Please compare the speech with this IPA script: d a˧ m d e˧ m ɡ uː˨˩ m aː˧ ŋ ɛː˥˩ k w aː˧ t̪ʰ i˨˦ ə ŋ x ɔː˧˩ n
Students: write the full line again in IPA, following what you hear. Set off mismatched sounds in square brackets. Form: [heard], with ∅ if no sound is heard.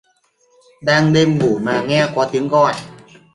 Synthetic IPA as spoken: d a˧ [ŋ] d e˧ m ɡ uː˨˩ m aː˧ ŋ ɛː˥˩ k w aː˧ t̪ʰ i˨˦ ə ŋ [k] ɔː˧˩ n